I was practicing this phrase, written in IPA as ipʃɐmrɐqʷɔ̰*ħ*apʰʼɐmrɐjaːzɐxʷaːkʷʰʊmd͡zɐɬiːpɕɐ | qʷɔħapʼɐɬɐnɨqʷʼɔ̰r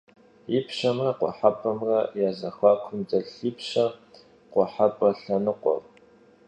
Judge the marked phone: correct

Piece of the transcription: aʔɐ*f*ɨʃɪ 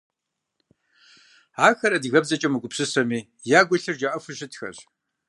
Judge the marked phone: correct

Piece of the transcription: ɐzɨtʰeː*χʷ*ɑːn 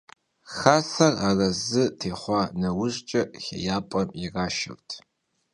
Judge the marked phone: correct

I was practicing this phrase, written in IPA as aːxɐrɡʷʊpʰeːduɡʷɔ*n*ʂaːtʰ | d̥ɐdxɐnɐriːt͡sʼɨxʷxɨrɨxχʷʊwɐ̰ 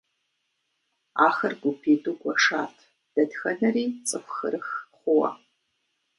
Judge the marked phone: incorrect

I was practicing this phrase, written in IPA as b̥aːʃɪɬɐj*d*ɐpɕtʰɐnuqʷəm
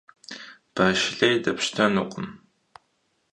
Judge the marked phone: correct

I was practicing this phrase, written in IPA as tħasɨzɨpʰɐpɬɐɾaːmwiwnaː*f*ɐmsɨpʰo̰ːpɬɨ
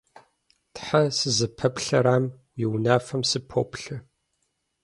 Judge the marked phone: correct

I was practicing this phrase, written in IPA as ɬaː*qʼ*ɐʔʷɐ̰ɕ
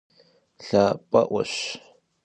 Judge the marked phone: incorrect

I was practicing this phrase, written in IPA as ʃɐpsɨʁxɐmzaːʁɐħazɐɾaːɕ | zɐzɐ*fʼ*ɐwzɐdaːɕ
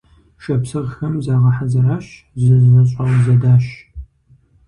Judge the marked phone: incorrect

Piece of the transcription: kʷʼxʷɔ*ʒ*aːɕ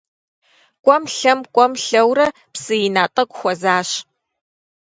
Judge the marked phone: incorrect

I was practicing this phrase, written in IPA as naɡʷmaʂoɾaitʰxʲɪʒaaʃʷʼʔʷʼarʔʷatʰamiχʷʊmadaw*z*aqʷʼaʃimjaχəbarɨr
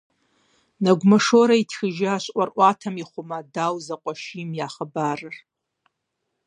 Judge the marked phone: correct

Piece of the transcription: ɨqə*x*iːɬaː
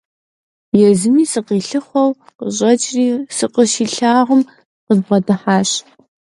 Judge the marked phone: incorrect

